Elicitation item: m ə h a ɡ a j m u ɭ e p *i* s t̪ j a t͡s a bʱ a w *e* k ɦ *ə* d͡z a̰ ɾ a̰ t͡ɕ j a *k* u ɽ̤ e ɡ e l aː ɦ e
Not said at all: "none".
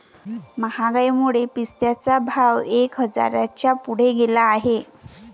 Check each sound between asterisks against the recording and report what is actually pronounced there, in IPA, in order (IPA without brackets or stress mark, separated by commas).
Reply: i, e, ə, p